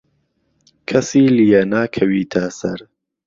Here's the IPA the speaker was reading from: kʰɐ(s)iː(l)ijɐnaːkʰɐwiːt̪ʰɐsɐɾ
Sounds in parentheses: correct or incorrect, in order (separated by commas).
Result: correct, correct